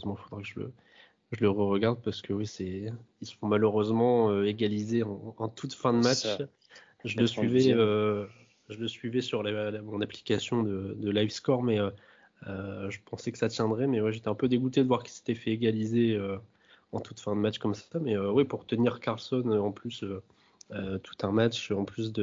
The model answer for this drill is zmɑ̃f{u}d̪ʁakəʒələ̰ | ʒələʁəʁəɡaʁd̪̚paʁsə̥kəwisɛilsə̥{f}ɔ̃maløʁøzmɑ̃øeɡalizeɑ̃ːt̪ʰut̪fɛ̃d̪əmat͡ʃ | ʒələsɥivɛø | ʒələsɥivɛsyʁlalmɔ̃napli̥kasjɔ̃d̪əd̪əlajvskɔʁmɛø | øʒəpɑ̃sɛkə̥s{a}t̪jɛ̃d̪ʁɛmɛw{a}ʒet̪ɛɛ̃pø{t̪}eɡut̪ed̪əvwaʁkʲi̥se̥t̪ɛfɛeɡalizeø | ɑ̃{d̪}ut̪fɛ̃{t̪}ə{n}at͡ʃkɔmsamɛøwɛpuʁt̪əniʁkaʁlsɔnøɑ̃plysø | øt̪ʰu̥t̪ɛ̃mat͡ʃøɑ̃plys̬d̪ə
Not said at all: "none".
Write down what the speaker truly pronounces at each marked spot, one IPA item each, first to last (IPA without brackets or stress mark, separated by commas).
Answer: o, f, a, ɛ, d̪, t̪, d̪, m